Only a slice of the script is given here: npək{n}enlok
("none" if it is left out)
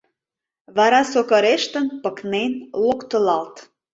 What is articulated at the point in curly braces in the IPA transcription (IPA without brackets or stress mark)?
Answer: n